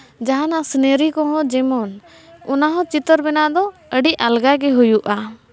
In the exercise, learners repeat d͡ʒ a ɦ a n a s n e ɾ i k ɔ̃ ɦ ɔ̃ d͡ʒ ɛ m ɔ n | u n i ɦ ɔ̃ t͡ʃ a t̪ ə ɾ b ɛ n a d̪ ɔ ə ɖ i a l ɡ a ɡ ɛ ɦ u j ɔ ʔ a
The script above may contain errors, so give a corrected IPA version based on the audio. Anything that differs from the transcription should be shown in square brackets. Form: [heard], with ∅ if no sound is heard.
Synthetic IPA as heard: d͡ʒ a ɦ a n a s n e ɾ i k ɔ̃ ɦ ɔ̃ d͡ʒ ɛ m ɔ n | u n [a] ɦ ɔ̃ t͡ʃ [i] t̪ ə ɾ b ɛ n a d̪ ɔ ə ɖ i a l ɡ a ɡ ɛ ɦ u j [u] ʔ a